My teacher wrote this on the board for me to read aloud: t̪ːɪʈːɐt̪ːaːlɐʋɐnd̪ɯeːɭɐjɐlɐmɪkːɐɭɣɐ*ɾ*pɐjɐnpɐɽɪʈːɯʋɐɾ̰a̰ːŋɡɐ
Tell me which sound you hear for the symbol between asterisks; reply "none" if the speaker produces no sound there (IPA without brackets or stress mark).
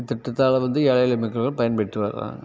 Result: ɭ